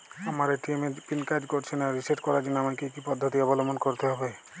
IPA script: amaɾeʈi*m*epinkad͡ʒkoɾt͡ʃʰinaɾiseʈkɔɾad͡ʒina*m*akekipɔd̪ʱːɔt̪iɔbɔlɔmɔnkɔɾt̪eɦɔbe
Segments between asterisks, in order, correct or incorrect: correct, correct

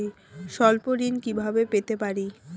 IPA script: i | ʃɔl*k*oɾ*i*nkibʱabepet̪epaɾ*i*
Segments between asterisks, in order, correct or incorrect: incorrect: p, correct, correct

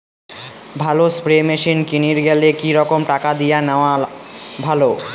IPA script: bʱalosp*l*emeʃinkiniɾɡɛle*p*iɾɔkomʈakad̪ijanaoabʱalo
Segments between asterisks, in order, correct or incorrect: incorrect: ɾ, incorrect: k

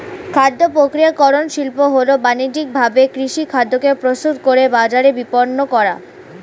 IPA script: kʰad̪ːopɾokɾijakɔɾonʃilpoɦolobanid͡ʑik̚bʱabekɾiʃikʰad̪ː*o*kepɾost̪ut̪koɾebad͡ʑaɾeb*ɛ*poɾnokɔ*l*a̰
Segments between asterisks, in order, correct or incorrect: correct, incorrect: i, incorrect: ɾ

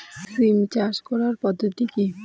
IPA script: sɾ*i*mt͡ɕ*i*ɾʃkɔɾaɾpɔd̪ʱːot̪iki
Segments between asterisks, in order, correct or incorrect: correct, incorrect: a

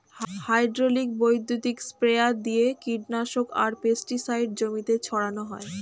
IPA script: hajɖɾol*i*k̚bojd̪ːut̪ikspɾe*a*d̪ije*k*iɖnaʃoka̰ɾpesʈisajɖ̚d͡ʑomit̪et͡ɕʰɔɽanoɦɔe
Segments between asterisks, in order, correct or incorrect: correct, correct, correct

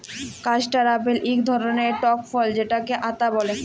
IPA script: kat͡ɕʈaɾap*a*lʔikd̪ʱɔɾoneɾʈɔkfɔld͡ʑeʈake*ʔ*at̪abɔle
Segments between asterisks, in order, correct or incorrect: incorrect: e, correct

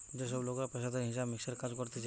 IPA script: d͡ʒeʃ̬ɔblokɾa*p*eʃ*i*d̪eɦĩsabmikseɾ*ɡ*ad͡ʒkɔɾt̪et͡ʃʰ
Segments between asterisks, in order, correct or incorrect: correct, incorrect: a, incorrect: k

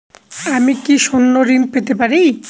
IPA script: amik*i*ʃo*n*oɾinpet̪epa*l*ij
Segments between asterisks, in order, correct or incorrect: correct, incorrect: nː, incorrect: ɾ

